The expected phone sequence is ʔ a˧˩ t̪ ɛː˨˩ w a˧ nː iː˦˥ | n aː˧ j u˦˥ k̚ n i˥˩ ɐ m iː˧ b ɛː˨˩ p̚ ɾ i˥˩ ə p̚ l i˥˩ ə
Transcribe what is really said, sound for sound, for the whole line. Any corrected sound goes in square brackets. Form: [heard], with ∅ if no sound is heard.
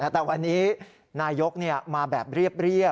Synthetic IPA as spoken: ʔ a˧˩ t̪ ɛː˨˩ w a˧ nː iː˦˥ | n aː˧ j [o˦˥] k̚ n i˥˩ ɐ m [aː˧] b ɛː˨˩ p̚ ɾ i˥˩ ə p̚ [ɾ] i˥˩ ə